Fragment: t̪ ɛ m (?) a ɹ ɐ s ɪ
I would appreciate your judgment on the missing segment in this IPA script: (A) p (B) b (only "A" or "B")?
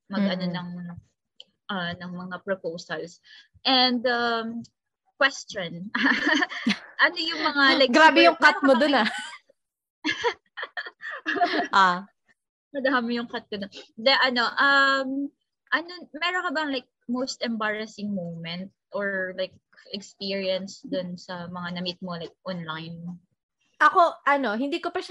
B